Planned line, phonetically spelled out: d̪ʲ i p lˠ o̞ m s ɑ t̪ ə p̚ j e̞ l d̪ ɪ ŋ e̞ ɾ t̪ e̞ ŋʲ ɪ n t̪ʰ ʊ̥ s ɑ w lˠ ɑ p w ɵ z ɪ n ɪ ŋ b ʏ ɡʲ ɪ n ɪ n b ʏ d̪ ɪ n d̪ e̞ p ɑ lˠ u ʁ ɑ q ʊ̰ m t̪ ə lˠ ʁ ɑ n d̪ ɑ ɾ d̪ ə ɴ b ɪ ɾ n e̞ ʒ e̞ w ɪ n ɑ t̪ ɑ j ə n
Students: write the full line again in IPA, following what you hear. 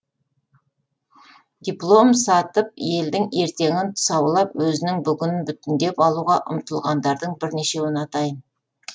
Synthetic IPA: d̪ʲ i p lˠ o̞ m s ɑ t̪ ə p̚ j e̞ l d̪ ɪ ŋ e̞ ɾ t̪ e̞ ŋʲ ɪ n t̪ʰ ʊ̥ s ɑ w lˠ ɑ p w ɵ z ɪ n ɪ ŋ b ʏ ɡʲ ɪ n ɪ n b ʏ t̪ ɪ n d̪ e̞ p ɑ lˠ u ʁ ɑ ʔ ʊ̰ m t̪ ə lˠ ʁ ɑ n d̪ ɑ ɾ d̪ ə ɴ b ɪ ɾ n e̞ ʃ e̞ w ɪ n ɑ t̪ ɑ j ə n